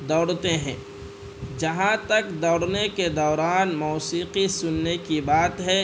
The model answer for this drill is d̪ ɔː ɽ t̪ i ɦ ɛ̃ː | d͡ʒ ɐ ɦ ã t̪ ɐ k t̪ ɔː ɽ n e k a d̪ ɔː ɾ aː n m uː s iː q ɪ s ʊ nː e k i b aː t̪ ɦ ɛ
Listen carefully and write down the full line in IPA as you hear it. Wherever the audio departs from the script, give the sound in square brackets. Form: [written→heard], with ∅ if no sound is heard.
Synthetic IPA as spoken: d̪ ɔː ɽ t̪ [i→e] ɦ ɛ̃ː | d͡ʒ ɐ ɦ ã t̪ ɐ k [t̪→d̪] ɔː ɽ n e k [a→e] d̪ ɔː ɾ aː n m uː s iː q [ɪ→i] s ʊ nː e k i b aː t̪ ɦ ɛ

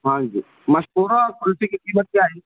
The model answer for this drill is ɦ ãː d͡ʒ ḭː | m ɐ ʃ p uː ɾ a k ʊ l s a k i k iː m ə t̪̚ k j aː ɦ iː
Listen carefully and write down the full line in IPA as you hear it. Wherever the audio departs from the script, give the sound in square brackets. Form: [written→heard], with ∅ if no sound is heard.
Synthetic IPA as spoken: ɦ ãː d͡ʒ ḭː | m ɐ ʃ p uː ɾ a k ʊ l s [a→i] k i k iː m ə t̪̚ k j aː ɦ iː

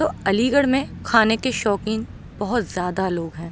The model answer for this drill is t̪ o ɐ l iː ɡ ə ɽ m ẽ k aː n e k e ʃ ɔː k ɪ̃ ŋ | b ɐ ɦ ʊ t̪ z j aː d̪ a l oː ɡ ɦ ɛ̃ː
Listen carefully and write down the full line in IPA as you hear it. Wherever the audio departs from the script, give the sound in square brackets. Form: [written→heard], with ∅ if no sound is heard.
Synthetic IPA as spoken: t̪ o ɐ l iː ɡ ə ɽ m ẽ [k→kʰ] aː n e k e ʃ ɔː k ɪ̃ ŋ | b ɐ ɦ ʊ t̪ z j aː d̪ a l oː ɡ ɦ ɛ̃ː

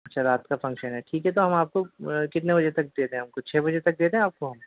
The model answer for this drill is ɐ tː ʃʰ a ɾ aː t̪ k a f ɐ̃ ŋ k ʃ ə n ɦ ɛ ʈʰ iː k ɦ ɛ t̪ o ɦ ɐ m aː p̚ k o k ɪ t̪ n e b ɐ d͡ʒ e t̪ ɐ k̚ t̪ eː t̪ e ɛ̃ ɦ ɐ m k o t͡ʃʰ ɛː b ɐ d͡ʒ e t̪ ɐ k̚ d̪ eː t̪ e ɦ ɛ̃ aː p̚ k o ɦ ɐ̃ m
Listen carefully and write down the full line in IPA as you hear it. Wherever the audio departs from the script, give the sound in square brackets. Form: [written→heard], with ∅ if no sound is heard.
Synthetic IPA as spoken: ɐ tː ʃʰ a ɾ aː t̪ k a f ɐ̃ ŋ k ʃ ə n ɦ ɛ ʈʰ iː k ɦ ɛ t̪ o ɦ ɐ m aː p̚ k o k ɪ t̪ n e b ɐ d͡ʒ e t̪ ɐ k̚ [t̪→d̪] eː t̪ e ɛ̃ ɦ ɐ m k o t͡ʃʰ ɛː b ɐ d͡ʒ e t̪ ɐ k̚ d̪ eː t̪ e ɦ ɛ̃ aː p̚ k o ɦ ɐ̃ m

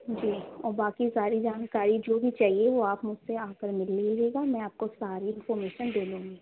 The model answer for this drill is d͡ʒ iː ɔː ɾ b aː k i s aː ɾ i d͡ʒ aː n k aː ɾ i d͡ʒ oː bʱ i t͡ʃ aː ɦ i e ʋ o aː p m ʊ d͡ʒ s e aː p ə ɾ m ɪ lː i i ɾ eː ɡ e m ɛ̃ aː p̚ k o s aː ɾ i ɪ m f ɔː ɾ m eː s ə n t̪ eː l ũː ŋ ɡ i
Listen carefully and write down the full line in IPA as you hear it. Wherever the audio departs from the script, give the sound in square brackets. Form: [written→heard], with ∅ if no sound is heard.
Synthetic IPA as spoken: d͡ʒ iː ɔː ɾ b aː k i s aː ɾ i d͡ʒ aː n k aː ɾ i d͡ʒ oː bʱ i t͡ʃ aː ɦ i e ʋ o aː p m ʊ d͡ʒ s e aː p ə ɾ m ɪ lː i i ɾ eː ɡ [e→a] m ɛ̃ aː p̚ k o s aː ɾ i ɪ [m→n] f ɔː ɾ m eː [s→ʃ] ə n [t̪→d̪] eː l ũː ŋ ɡ i

